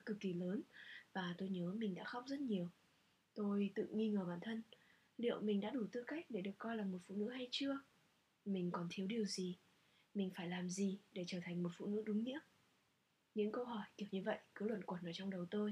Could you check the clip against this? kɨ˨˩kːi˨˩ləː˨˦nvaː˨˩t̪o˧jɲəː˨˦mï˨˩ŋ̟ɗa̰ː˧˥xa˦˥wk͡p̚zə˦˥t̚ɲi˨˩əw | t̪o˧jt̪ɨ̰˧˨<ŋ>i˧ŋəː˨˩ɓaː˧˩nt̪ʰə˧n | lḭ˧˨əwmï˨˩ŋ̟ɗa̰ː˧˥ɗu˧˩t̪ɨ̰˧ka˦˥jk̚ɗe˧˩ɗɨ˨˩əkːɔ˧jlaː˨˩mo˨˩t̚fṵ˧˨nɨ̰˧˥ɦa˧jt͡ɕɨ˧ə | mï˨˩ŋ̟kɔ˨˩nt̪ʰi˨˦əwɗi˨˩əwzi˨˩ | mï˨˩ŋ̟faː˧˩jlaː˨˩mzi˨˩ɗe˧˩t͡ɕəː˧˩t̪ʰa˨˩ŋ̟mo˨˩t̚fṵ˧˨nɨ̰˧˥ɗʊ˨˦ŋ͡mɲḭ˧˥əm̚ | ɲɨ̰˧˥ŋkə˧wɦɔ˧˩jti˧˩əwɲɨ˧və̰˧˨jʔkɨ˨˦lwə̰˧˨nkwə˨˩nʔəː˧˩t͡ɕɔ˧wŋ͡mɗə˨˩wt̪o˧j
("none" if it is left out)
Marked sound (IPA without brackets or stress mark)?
ŋ